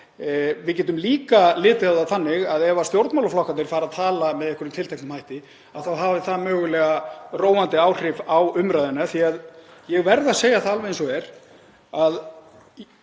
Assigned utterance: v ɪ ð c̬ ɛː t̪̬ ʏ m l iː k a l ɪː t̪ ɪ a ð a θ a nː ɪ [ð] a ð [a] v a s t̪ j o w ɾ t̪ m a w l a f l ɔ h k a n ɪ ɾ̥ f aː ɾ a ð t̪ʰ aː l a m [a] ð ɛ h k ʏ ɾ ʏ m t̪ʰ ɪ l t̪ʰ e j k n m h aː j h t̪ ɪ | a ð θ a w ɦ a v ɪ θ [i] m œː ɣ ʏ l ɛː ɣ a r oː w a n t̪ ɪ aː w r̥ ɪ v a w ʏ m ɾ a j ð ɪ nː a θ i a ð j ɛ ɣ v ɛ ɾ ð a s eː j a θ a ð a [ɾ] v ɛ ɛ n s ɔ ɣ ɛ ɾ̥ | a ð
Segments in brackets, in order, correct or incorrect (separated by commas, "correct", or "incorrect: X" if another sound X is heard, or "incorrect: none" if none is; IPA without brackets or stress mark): incorrect: ɣ, incorrect: ɛ, incorrect: ɛ, incorrect: a, incorrect: l